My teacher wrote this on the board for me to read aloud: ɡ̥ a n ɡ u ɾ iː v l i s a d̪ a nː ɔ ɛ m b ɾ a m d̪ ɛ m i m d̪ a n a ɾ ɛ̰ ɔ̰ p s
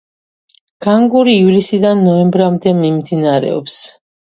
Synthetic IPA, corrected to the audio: ɡ̥ a ŋ ɡ u ɾ iː v l i s i d̪ a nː ɔ ɛ m b ɾ a m d̪ ɛ m i m d̪ i n a ɾ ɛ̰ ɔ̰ p s